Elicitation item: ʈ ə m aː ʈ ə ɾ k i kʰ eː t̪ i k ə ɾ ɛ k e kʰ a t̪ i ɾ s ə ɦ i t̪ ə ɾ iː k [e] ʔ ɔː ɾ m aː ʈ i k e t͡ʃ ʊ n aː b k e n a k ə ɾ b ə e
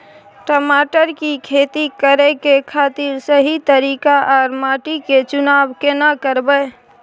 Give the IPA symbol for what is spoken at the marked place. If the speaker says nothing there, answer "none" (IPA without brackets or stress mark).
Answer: a